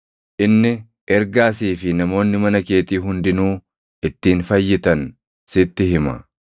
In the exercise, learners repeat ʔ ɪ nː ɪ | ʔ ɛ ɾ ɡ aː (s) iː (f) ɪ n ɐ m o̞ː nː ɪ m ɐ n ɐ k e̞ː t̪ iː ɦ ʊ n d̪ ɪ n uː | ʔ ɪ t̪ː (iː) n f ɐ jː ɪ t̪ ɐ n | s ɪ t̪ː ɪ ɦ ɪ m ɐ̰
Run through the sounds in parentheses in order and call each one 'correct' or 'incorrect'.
correct, correct, correct

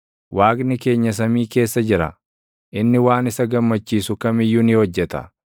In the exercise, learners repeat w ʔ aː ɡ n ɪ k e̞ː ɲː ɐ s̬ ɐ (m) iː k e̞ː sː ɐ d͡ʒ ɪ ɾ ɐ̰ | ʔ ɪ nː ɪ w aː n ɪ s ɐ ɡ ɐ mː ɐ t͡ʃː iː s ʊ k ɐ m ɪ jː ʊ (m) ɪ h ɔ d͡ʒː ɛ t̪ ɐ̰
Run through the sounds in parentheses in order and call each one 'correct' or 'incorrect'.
correct, incorrect: n

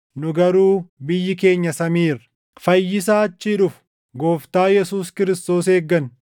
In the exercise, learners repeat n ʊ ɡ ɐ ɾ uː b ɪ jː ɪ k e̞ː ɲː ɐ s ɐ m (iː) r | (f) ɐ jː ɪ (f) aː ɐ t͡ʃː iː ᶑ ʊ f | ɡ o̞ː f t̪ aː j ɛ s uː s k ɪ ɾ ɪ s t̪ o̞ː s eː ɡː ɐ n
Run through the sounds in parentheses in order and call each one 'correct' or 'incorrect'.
correct, correct, incorrect: s

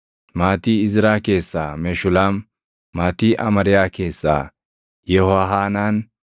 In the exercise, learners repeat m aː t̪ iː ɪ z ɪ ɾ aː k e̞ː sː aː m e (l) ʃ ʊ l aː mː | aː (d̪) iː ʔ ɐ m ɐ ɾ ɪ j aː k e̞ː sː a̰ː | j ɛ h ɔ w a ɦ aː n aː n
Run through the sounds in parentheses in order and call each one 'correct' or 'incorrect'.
incorrect: none, incorrect: t̪

